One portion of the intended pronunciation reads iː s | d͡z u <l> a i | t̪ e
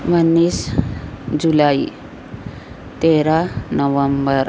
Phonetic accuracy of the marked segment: correct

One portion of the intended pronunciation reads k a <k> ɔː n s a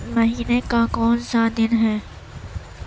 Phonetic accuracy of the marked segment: correct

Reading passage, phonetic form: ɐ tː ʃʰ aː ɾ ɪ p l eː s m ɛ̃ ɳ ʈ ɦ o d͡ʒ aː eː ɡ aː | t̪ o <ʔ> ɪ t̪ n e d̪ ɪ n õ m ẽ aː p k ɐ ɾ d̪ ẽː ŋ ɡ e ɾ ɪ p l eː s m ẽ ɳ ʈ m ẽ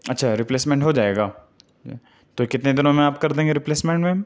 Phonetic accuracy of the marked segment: incorrect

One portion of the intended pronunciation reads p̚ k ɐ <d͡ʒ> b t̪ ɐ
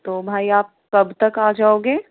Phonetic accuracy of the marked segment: incorrect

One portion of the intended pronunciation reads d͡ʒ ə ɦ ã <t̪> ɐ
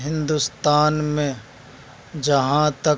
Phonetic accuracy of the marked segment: correct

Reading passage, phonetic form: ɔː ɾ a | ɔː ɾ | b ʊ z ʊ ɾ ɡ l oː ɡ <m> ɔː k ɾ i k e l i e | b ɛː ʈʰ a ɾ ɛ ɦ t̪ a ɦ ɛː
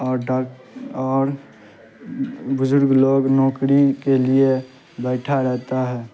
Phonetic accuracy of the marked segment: incorrect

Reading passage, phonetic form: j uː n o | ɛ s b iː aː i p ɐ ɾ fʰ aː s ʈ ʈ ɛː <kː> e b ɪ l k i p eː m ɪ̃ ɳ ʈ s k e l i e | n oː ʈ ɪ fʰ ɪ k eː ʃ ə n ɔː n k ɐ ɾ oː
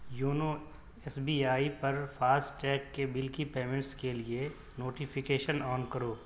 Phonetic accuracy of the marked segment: correct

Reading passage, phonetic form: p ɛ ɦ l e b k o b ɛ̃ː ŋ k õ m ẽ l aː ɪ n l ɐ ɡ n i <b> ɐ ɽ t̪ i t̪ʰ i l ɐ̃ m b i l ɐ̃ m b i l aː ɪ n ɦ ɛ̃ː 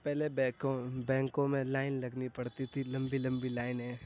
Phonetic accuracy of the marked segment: incorrect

